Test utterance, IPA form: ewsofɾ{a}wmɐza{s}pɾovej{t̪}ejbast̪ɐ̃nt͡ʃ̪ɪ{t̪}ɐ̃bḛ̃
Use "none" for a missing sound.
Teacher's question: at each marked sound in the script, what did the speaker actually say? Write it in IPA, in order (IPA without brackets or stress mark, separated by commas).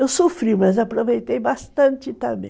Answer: i, none, t̪, t̪